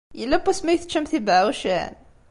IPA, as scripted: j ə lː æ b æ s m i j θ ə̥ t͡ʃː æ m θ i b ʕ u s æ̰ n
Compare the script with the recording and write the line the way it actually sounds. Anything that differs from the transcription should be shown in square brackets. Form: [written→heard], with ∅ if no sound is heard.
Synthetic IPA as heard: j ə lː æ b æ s m [i→æ] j θ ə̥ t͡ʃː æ m θ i b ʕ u [s→ʃ] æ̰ n